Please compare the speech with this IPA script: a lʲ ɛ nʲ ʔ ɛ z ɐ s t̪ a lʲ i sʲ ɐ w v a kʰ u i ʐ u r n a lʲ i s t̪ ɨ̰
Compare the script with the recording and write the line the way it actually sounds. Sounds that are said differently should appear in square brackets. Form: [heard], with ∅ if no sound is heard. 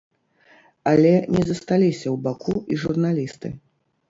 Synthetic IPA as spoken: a lʲ ɛ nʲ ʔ ɛ z ɐ s t̪ a lʲ i sʲ ɐ w [b] a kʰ u i ʐ u r n a lʲ i s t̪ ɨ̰